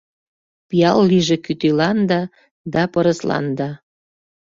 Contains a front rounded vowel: yes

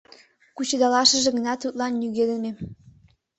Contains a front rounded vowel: yes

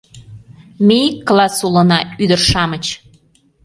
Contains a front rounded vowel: yes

